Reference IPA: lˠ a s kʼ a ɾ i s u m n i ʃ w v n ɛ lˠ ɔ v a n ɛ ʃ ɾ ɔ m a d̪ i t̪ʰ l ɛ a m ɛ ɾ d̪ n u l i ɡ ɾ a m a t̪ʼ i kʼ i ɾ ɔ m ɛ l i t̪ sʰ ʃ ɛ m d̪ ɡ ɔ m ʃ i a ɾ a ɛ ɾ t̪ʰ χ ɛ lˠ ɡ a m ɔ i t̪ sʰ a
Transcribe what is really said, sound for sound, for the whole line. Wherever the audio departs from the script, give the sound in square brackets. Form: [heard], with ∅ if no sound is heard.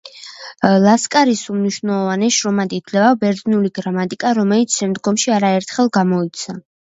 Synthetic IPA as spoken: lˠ a s kʼ a ɾ i s u m n i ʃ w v n ɛ lˠ ɔ v a n ɛ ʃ ɾ ɔ m a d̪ i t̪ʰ l ɛ a [b] ɛ ɾ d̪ n u l i ɡ ɾ a m a t̪ʼ i kʼ [a] ɾ ɔ m ɛ l i t̪ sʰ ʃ ɛ m d̪ ɡ ɔ m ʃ i a ɾ a ɛ ɾ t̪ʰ χ ɛ lˠ ɡ a m ɔ i t̪ sʰ a

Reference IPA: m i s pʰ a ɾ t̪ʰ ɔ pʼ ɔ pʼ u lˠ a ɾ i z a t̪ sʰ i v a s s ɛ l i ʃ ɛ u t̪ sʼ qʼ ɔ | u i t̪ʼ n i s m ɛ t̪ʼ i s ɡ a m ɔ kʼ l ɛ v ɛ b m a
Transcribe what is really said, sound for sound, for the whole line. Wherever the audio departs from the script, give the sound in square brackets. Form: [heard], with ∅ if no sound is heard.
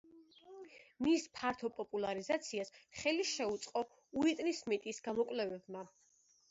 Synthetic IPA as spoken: m i s pʰ a ɾ t̪ʰ ɔ pʼ ɔ pʼ u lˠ a ɾ i z a t̪ sʰ i [∅] a s [χ] ɛ l i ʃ ɛ u t̪ sʼ qʼ ɔ | u i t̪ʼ n i s m ɛ t̪ʼ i s ɡ a m ɔ kʼ l ɛ v ɛ b m a

